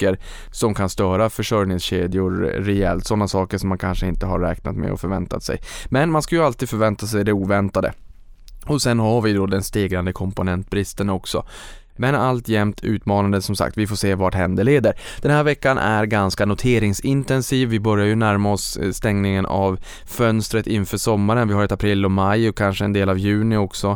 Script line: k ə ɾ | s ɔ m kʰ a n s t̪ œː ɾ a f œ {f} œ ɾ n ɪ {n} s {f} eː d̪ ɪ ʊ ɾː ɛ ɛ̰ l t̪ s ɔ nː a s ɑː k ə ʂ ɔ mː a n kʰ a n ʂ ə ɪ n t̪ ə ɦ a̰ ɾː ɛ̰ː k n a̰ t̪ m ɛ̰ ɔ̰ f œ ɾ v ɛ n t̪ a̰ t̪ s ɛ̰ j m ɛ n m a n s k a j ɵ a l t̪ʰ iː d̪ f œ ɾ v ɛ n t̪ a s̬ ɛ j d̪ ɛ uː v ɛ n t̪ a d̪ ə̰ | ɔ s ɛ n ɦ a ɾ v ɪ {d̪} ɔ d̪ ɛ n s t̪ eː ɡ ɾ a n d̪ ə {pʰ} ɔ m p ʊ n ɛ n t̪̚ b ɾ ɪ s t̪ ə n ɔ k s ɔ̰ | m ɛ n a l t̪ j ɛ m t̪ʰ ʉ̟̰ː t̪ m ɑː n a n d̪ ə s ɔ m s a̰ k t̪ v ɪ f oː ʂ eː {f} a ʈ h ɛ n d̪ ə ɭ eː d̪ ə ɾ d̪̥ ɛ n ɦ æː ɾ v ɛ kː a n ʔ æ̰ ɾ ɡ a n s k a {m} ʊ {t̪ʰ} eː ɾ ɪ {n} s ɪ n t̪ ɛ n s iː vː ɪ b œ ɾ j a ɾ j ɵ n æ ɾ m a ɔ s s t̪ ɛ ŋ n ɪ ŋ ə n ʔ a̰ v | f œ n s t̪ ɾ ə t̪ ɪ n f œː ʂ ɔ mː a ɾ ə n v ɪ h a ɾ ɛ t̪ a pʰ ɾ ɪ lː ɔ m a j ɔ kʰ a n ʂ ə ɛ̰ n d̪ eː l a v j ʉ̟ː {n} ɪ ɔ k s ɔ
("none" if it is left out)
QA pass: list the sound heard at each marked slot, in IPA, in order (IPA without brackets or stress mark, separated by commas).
ʂ, ŋ, ɕ, d̪, kʰ, v, n, t̪ʰ, ŋ, n